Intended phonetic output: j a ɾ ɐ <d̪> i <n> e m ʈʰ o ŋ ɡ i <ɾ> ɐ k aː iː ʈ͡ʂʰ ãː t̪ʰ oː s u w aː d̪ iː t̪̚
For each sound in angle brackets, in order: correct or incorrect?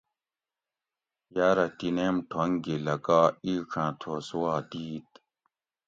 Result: incorrect, correct, incorrect

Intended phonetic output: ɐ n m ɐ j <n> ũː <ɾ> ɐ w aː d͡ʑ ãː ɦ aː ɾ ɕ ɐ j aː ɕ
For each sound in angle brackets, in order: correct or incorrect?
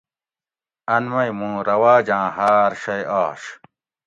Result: incorrect, correct

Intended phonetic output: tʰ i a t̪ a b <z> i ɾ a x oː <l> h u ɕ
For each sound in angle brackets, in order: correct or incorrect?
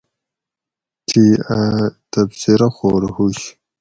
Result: incorrect, incorrect

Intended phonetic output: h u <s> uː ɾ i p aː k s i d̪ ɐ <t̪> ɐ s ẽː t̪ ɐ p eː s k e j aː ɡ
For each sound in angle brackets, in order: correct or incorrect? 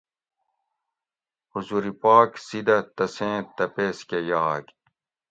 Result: incorrect, correct

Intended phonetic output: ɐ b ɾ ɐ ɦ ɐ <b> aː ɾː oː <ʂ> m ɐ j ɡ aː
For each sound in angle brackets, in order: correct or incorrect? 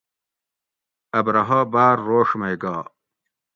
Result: correct, correct

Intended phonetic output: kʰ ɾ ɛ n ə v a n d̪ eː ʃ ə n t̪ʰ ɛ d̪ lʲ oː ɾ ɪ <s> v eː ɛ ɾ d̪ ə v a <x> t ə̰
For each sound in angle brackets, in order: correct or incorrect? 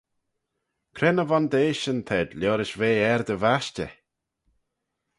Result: incorrect, incorrect

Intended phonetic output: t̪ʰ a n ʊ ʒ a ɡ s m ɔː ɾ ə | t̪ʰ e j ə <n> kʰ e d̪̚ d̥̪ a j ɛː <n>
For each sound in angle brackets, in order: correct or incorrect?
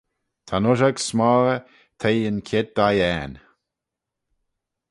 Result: correct, correct

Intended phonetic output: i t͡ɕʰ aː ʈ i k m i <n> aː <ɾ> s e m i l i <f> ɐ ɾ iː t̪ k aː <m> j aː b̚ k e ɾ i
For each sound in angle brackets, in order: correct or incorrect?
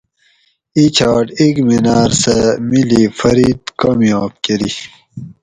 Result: correct, correct, correct, correct

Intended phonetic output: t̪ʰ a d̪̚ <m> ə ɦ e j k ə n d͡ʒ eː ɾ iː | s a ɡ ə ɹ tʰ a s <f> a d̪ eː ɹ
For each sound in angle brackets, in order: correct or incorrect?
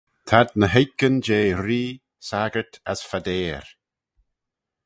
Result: incorrect, correct

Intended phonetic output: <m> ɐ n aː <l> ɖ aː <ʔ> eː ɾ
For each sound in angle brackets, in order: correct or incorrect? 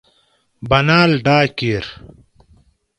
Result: incorrect, correct, incorrect

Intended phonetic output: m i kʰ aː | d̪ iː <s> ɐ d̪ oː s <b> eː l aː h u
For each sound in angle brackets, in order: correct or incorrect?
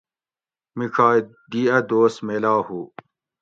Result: incorrect, incorrect

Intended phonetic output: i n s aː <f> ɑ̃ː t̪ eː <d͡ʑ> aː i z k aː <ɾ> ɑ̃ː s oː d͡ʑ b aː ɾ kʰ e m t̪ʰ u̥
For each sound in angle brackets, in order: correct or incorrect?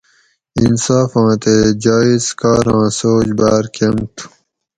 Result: correct, correct, correct

